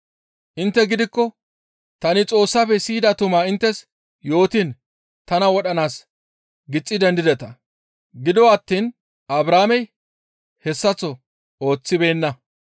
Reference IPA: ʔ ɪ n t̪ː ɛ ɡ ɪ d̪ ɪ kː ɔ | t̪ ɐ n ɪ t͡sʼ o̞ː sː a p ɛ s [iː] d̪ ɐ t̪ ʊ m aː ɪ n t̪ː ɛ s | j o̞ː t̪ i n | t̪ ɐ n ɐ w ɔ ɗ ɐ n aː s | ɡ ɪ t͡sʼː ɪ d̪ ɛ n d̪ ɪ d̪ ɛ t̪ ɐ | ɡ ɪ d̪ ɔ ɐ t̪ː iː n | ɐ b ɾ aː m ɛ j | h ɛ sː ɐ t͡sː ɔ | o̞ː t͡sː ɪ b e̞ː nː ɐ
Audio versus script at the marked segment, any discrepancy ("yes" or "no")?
no